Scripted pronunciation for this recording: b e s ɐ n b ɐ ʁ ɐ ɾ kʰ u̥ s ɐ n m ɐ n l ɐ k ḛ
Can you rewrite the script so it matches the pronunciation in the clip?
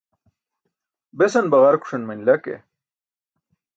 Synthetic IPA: b e s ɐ n b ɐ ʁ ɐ ɾ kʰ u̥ ʂ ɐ n m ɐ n l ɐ k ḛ